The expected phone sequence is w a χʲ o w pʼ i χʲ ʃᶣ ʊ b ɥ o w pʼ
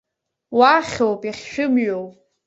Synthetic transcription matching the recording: w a χʲ o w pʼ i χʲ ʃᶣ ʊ m ɥ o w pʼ